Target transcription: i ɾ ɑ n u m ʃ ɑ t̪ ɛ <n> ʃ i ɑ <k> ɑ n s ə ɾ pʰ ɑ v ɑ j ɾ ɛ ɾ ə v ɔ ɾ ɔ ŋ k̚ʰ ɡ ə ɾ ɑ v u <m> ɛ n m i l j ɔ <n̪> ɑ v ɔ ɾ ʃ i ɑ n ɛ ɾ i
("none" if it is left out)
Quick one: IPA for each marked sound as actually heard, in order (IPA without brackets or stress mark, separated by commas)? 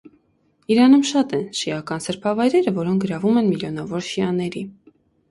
n, k, m, n̪